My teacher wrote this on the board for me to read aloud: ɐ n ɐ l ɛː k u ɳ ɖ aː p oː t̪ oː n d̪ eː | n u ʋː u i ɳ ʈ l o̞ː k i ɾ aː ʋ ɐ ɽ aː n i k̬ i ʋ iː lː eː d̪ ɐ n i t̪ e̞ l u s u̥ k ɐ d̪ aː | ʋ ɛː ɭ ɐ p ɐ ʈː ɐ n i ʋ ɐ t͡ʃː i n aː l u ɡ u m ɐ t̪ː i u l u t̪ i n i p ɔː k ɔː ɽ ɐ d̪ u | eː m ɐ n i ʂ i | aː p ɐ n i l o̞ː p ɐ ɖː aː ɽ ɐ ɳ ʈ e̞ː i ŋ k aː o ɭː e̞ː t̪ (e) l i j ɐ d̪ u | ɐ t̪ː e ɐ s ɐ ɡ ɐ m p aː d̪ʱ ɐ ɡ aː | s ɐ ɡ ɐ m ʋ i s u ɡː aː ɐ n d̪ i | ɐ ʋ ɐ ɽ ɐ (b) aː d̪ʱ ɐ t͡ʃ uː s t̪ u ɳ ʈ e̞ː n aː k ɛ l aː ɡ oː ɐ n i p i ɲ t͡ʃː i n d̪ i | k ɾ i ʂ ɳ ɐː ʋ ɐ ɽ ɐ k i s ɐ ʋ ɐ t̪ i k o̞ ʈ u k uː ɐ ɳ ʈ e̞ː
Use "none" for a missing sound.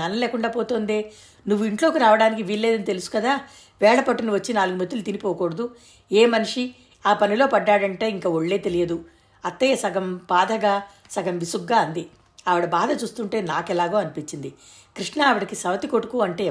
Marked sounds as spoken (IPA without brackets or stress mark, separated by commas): e, b